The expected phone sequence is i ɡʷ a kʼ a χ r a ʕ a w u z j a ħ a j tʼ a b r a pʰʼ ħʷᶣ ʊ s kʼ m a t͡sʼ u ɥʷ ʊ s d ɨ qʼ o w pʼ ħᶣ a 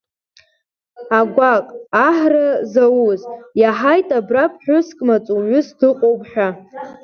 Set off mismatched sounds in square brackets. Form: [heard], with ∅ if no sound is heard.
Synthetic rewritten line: [a] ɡʷ a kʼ a [ħ] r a [z] a w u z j a ħ a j tʼ a b r a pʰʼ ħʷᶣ ʊ s kʼ m a t͡sʼ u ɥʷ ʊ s d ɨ qʼ o w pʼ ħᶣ a